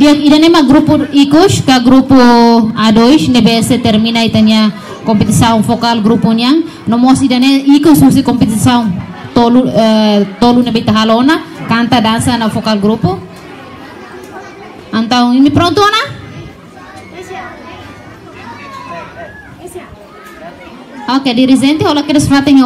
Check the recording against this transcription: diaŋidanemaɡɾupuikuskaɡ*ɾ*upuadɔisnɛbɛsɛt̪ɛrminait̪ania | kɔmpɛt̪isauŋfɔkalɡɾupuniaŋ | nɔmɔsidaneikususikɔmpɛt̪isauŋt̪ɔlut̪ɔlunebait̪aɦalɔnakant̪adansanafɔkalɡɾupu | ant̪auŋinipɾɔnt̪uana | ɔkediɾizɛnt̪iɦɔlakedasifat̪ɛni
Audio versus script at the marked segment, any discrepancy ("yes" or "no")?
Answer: no